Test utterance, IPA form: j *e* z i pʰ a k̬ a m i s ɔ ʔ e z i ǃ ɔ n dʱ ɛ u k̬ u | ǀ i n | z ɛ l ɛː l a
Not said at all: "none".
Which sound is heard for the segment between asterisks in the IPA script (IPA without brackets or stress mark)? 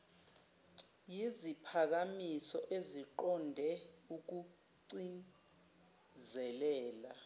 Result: i